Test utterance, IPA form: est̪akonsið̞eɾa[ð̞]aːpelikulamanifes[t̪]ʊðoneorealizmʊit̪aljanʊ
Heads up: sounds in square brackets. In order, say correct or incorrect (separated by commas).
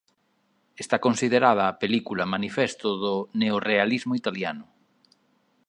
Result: correct, correct